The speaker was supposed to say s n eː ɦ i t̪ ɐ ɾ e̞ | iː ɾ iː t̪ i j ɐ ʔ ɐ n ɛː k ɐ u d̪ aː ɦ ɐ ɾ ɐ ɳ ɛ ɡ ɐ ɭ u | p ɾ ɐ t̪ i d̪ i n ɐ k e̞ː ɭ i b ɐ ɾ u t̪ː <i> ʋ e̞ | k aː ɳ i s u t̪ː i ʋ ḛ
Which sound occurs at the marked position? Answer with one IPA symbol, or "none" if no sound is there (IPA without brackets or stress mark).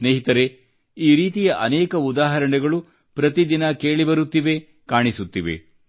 i